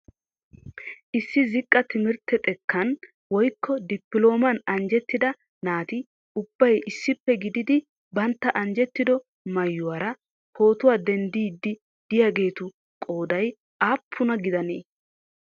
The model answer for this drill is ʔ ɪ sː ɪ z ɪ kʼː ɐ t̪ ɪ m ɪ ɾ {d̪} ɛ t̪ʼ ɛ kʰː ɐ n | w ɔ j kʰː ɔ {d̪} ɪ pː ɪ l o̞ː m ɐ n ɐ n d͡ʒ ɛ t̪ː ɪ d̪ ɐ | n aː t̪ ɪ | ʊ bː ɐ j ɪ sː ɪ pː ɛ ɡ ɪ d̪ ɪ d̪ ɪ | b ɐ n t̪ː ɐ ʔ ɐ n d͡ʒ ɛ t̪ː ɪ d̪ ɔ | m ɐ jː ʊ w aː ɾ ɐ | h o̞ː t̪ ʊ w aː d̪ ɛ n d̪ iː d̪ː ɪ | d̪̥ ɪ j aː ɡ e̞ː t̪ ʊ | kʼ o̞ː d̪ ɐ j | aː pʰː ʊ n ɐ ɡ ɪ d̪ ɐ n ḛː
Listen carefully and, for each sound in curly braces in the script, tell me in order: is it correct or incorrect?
incorrect, correct

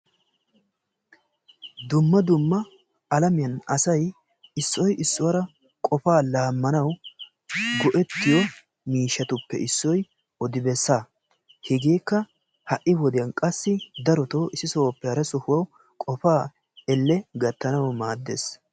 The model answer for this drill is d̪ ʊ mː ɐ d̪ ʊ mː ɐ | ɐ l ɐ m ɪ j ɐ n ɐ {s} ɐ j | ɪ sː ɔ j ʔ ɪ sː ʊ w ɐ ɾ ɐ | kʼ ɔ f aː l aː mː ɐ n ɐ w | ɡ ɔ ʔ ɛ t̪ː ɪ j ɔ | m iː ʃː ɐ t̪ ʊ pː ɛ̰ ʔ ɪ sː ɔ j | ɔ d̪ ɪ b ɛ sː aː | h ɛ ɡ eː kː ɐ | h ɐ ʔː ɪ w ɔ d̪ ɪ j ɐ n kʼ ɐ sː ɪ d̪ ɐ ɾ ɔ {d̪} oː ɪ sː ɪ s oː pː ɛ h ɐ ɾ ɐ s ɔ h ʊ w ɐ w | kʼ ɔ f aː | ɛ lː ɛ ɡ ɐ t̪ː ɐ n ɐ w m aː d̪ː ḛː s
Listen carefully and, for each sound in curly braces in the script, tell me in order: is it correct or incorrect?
correct, incorrect

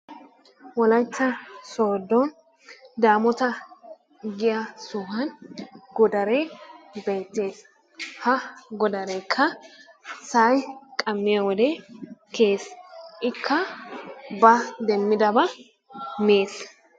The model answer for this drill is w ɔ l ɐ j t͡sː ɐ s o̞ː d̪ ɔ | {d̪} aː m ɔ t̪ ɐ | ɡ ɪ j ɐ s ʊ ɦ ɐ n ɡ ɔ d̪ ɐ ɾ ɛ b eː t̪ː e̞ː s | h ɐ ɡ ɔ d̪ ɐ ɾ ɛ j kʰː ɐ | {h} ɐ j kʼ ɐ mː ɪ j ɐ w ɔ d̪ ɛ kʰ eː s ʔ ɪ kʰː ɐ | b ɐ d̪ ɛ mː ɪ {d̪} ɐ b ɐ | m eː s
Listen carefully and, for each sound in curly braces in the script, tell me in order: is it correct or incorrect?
correct, incorrect, correct

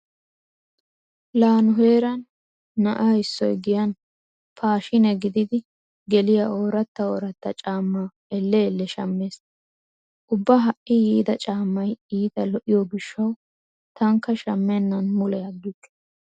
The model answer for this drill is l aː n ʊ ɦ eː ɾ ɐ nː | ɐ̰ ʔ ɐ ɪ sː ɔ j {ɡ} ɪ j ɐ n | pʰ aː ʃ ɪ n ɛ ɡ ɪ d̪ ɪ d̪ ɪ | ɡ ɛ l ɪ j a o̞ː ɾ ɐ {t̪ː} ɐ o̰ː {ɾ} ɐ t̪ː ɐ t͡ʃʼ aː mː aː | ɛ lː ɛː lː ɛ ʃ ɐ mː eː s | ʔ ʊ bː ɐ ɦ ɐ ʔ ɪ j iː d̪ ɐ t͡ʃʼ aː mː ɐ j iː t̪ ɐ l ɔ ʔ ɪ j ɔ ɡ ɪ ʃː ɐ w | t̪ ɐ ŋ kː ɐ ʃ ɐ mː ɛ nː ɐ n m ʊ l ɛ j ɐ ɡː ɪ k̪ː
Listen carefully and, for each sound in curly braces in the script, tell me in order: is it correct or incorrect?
correct, correct, correct

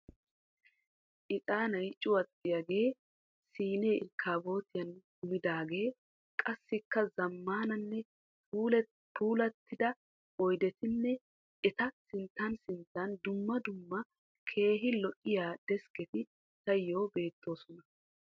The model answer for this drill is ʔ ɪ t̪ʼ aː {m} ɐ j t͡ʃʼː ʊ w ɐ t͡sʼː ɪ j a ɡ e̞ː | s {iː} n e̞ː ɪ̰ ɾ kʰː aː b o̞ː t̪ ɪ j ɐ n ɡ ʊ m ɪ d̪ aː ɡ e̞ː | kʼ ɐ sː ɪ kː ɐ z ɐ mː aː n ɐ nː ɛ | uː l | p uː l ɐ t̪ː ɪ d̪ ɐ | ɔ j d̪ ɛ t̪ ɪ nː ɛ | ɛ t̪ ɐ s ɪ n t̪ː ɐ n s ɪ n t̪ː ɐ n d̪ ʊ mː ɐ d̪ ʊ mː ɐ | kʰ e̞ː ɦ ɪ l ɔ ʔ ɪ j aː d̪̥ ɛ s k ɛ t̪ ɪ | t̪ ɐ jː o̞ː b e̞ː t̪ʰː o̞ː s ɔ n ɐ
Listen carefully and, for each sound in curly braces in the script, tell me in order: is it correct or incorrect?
incorrect, correct

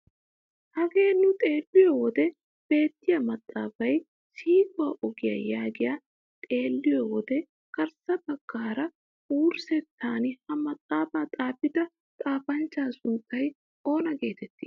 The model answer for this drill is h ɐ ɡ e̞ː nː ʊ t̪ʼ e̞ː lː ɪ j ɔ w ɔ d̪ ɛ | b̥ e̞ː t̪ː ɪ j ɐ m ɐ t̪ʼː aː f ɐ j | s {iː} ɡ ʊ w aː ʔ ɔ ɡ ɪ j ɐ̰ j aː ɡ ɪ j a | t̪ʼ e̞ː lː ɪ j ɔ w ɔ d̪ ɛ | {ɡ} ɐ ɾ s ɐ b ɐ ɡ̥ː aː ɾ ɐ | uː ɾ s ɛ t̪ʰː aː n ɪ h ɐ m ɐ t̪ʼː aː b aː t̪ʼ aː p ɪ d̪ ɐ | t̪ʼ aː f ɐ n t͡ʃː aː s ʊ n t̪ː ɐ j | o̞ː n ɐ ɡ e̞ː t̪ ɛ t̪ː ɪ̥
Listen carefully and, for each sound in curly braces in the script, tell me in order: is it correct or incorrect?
correct, incorrect

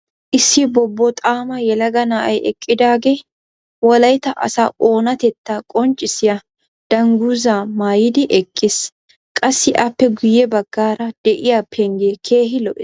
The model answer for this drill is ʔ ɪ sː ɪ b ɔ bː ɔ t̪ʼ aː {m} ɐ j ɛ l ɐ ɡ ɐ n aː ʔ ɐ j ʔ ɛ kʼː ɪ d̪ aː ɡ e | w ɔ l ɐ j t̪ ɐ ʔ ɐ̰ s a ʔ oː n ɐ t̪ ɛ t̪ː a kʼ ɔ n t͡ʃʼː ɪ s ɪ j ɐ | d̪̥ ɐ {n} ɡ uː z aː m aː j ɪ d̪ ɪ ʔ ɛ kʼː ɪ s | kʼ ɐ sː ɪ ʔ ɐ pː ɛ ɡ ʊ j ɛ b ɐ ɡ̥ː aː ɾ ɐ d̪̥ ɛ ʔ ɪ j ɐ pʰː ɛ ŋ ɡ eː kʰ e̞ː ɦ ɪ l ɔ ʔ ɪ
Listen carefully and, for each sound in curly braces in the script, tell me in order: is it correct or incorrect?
correct, incorrect

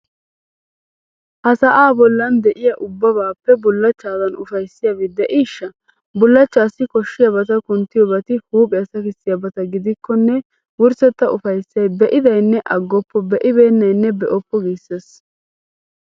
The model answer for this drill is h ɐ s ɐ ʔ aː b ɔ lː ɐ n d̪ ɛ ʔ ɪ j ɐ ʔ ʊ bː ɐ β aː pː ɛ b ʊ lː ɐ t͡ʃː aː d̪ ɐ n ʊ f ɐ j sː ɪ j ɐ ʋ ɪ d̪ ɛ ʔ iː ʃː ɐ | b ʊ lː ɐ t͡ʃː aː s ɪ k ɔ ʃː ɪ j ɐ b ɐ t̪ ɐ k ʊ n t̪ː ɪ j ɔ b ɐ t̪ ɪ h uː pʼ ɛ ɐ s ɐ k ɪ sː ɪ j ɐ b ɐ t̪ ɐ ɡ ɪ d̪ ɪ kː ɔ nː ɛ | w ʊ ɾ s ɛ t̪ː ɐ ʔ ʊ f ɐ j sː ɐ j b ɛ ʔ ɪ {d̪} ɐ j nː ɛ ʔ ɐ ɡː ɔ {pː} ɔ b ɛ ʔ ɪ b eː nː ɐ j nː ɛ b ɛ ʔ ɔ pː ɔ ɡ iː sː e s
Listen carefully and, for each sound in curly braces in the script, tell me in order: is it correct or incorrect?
correct, correct

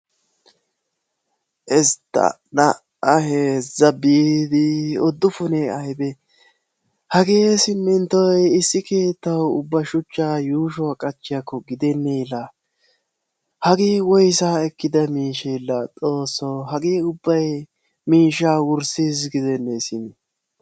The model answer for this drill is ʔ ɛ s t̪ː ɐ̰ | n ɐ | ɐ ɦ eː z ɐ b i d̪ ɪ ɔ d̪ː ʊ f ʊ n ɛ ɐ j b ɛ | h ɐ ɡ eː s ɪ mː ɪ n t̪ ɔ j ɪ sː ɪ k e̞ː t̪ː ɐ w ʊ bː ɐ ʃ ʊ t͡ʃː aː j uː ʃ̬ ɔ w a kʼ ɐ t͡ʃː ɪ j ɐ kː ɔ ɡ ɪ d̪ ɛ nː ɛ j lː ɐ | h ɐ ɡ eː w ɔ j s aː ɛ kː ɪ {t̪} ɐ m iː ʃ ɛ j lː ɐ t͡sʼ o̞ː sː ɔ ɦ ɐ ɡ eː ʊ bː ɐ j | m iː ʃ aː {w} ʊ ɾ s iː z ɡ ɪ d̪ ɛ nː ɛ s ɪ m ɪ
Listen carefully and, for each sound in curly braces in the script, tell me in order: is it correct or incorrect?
incorrect, correct

